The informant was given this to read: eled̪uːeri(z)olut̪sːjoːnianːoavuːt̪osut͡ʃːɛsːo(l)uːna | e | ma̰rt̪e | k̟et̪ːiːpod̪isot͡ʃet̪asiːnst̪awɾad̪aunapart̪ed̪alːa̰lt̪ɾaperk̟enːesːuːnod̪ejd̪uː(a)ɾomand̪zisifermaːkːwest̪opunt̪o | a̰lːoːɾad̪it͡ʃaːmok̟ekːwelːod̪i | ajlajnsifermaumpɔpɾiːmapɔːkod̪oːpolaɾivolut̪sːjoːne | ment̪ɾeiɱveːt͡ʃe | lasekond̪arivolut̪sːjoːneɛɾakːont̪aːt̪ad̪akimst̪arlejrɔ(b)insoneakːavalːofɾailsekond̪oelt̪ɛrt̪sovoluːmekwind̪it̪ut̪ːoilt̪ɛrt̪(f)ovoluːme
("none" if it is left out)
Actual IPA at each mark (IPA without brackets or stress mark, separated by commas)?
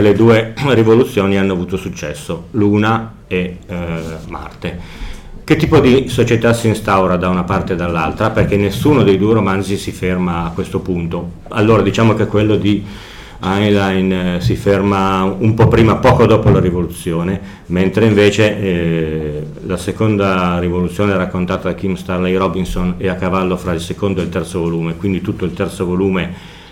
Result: v, l, e, b, s